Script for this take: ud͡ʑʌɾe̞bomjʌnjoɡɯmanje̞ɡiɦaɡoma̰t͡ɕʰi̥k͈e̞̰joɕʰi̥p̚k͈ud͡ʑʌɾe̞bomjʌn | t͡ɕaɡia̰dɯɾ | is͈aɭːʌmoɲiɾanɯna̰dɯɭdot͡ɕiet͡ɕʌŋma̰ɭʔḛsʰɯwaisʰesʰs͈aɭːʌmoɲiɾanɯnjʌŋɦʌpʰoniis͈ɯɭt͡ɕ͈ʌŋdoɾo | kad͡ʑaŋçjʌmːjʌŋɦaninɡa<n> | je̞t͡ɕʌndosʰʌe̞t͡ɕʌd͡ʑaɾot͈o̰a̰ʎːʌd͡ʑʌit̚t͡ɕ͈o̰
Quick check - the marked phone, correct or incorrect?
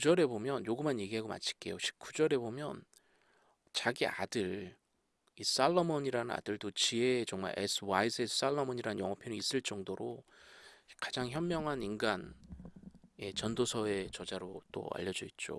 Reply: correct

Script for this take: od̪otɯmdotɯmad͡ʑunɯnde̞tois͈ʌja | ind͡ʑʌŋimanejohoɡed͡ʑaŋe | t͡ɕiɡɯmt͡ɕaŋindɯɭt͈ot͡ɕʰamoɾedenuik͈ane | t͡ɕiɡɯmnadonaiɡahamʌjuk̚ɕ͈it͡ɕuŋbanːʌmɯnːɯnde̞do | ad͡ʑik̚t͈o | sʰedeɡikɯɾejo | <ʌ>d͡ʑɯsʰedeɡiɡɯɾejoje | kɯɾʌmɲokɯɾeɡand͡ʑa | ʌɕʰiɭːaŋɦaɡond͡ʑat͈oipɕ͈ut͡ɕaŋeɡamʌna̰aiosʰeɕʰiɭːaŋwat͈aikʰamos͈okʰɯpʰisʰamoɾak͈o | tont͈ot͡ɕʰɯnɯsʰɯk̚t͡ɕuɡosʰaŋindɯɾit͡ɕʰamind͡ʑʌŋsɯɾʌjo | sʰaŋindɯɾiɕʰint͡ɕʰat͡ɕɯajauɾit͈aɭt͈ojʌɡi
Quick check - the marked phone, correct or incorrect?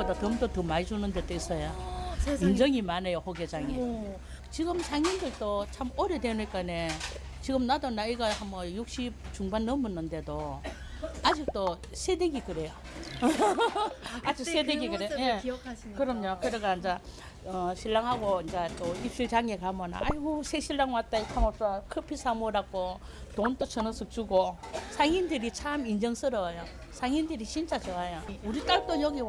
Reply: incorrect: a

